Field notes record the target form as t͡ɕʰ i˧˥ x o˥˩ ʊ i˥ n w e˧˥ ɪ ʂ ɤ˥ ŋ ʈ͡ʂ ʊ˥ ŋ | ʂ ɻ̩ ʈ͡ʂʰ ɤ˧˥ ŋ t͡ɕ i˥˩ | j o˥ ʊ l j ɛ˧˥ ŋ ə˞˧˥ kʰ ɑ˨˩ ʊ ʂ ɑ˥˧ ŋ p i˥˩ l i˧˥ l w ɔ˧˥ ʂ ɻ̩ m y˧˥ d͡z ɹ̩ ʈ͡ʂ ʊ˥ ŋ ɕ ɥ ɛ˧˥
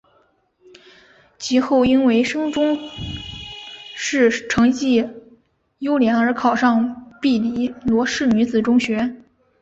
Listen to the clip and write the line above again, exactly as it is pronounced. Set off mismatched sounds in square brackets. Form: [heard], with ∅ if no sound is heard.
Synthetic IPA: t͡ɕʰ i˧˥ x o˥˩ ʊ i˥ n w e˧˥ ɪ ʂ ɤ˥ ŋ ʈ͡ʂ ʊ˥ ŋ | ʂ ɻ̩ ʈ͡ʂʰ ɤ˧˥ ŋ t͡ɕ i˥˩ | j o˥ ʊ l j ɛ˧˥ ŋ ə˞˧˥ kʰ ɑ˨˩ ʊ ʂ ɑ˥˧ ŋ p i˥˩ l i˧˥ l w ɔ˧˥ ʂ ɻ̩ [n] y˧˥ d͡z ɹ̩ ʈ͡ʂ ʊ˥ ŋ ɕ ɥ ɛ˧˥